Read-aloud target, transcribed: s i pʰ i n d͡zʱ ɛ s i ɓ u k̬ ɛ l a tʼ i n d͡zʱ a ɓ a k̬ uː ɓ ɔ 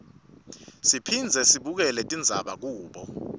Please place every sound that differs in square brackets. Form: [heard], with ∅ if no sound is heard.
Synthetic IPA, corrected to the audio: s i pʰ i n d͡zʱ ɛ s i ɓ u k̬ ɛ l [ɛ] tʼ i n d͡zʱ a ɓ a k̬ uː ɓ ɔ

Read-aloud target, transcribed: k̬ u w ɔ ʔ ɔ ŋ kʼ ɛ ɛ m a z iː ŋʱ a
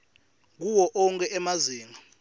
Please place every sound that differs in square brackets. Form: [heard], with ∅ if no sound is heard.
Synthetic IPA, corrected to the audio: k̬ u w ɔ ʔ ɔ ŋ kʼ ɛ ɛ m a z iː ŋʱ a

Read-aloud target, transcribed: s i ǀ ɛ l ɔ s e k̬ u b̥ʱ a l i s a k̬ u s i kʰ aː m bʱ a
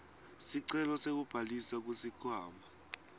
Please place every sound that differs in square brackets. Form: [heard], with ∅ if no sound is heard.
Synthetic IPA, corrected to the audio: s i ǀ ɛ l ɔ s e k̬ u b̥ʱ a l i s a k̬ u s i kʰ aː m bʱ a

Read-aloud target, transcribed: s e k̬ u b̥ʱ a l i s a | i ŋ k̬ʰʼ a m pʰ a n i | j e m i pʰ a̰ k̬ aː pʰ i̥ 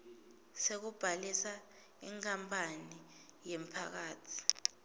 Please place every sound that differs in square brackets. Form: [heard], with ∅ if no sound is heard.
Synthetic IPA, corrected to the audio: s e k̬ u b̥ʱ a l i s a | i ŋ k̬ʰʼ a m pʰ a n i | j e m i pʰ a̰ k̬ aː [tʰ] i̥

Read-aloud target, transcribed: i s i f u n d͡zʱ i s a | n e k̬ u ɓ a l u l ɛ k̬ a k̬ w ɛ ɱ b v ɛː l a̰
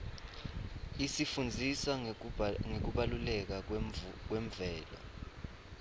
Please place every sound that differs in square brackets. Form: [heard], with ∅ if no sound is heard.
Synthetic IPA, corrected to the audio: i s i f u n d͡zʱ i s a | [ŋ] e k̬ u ɓ a l u l ɛ k̬ a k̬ w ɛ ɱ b v ɛː l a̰

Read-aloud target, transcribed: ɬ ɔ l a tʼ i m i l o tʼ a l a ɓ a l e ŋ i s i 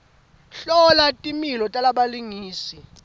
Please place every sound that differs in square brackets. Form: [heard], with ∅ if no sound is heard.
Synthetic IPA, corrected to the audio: ɬ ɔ l a tʼ i m i l [ɔ] tʼ a l a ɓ a l [i] ŋ [iː] s i

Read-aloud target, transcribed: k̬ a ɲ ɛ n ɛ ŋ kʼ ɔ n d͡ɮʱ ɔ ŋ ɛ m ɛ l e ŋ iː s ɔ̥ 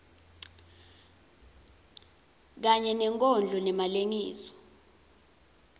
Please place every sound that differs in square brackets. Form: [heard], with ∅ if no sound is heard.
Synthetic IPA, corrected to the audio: k̬ a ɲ ɛ n ɛ ŋ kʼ ɔ n d͡ɮʱ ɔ [n] ɛ m [a] l e ŋ iː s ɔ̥

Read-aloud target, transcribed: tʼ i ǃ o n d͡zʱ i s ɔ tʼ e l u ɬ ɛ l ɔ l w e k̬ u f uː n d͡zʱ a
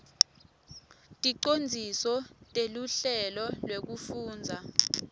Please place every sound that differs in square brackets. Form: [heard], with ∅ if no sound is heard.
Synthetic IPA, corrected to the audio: tʼ i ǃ o n d͡zʱ i s ɔ tʼ e l u ɬ ɛ l ɔ l w e k̬ u f uː n d͡zʱ a

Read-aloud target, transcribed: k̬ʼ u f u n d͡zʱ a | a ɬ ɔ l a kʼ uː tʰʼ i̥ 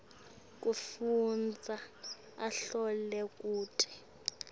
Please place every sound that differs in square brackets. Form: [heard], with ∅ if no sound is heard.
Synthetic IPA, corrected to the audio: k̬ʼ u f u n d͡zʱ a | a ɬ ɔ l [ɛ] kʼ uː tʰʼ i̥

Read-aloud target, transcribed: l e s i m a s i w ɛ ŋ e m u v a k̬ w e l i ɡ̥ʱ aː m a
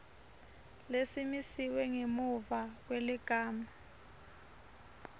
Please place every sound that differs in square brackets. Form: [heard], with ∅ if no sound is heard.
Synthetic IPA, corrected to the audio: l e s i m [i] s i w ɛ ŋ e m u v a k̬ w e l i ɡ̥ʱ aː m a

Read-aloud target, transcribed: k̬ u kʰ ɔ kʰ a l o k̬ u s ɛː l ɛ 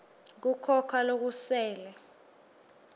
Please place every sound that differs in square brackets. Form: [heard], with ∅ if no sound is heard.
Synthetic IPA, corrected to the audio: k̬ u kʰ ɔ kʰ a l o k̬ u s ɛː l ɛ

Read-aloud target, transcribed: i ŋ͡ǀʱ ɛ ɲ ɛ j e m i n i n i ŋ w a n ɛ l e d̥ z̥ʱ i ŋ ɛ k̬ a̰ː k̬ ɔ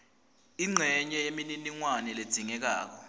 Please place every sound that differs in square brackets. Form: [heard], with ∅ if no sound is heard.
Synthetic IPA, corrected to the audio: i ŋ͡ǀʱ ɛ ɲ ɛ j e m i n i n i ŋ w a n ɛ l e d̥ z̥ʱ i ŋ ɛ k̬ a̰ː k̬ ɔ

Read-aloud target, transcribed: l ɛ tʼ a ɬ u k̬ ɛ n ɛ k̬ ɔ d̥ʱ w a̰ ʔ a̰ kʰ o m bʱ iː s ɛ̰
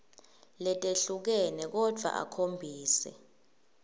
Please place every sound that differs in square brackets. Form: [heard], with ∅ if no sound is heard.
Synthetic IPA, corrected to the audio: l ɛ tʼ [e] ɬ u k̬ ɛ n ɛ k̬ ɔ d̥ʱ w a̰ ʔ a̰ kʰ o m bʱ iː s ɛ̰

